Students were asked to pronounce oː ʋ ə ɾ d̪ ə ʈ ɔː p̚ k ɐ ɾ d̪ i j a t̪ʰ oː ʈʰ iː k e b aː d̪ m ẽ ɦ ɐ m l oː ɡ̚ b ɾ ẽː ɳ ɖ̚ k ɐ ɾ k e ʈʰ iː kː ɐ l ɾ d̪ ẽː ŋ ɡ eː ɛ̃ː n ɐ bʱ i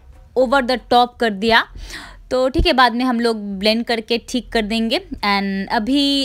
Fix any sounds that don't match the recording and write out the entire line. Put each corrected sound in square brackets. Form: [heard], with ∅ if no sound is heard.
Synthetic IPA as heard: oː ʋ ə ɾ d̪ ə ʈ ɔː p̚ k ɐ ɾ d̪ i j a [t̪] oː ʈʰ iː k e b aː d̪ m ẽ ɦ ɐ m l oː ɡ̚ b [l] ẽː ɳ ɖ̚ k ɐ ɾ k e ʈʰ iː kː ɐ [∅] ɾ d̪ ẽː ŋ ɡ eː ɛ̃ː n ɐ bʱ i